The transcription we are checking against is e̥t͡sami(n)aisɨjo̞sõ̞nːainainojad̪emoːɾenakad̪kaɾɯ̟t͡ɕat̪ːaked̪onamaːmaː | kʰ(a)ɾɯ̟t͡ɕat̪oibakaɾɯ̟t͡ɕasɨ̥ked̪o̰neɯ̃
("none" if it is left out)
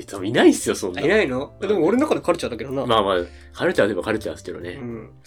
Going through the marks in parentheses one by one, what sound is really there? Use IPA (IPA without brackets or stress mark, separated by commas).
n, a